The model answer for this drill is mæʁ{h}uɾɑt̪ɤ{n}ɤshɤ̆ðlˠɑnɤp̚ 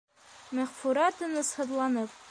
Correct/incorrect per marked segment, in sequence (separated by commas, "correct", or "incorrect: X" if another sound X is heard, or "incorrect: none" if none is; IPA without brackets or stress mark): incorrect: f, correct